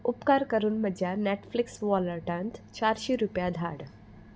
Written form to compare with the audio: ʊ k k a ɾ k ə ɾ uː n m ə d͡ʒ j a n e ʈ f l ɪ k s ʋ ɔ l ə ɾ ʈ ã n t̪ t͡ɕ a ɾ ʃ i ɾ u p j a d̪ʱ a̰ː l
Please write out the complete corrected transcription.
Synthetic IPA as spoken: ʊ p k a ɾ k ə ɾ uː n m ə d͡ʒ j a n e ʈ f l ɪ k s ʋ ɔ l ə ɾ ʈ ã n t̪ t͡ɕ a ɾ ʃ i ɾ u p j a d̪ʱ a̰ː ɽ